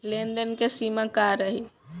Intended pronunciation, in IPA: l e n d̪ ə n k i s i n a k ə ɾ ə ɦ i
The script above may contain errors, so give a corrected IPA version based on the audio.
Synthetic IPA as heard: l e n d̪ ə n k e s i m a k a ɾ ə ɦ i